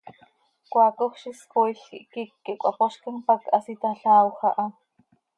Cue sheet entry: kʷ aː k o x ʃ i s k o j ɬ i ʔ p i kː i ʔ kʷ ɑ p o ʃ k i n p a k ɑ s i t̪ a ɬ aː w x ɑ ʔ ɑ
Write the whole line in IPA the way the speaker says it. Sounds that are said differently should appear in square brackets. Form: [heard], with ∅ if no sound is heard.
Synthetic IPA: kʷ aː k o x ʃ i s k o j ɬ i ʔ [k] i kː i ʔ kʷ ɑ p o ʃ k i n p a k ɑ s i t̪ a ɬ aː w x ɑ ʔ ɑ